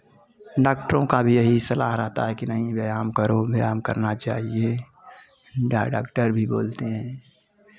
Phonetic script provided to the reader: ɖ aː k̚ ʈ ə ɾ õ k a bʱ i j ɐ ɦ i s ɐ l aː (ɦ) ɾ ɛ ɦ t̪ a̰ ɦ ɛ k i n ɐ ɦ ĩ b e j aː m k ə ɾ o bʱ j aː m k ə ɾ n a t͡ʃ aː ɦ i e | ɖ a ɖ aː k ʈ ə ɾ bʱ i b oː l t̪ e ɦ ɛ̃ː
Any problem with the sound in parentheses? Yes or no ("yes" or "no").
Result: no